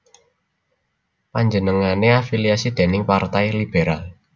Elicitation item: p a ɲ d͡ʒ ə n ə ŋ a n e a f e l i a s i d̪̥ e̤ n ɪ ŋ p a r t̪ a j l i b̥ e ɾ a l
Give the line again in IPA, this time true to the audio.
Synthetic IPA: p a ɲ d͡ʒ ə n ə ŋ a n e a f i l i a s i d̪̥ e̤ n ɪ ŋ p a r t̪ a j l i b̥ e ɾ a l